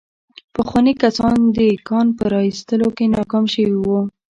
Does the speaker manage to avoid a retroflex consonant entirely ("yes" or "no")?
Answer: yes